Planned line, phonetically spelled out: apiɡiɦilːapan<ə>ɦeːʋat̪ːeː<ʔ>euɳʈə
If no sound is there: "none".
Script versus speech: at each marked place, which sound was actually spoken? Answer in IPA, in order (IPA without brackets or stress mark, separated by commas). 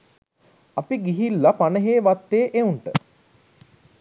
ə, ʔ